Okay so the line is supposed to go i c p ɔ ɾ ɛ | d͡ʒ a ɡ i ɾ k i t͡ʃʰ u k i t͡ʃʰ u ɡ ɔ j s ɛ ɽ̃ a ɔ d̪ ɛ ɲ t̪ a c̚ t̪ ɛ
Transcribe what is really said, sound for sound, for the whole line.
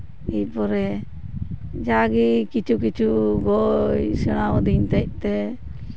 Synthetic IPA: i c p ɔ ɾ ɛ | d͡ʒ a ɡ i k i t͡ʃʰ u k i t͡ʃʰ u ɡ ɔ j s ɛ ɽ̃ a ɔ d̪ i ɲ t̪ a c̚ t̪ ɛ